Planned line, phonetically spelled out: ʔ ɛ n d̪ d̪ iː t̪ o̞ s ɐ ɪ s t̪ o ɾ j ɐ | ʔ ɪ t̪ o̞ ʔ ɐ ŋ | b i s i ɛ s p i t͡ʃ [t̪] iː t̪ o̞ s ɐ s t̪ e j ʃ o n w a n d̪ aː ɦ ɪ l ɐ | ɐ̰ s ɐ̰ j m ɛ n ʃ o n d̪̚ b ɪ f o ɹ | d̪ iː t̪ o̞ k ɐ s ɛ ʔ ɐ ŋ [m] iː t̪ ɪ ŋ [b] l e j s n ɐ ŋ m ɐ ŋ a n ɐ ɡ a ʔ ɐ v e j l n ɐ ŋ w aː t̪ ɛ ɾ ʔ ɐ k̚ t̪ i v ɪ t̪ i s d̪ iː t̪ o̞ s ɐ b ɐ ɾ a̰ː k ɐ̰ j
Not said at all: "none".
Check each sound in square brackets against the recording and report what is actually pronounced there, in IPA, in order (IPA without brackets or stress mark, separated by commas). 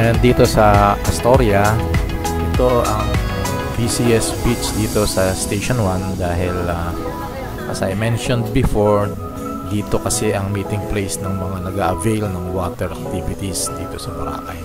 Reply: d̪, m, p